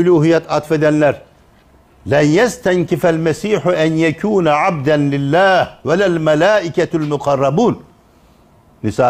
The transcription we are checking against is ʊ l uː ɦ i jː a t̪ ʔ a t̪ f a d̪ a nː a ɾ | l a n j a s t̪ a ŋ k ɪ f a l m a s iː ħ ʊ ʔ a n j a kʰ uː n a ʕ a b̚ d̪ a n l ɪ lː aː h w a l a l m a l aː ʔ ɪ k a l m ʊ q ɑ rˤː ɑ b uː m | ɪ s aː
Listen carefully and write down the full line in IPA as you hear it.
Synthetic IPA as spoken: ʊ l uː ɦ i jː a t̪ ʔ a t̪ f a d̪ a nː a ɾ | l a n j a s t̪ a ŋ k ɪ f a l m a s iː ħ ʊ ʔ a n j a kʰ uː n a ʕ a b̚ d̪ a n l ɪ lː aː h w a l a l m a l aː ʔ ɪ k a l m ʊ q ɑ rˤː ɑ b uː n | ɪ s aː